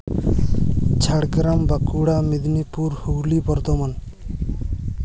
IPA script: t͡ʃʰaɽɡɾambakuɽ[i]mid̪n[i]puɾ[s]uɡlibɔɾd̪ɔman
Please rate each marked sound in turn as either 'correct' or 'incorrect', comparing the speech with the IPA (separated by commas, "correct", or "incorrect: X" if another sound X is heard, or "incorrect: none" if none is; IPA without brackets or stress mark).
incorrect: a, correct, incorrect: h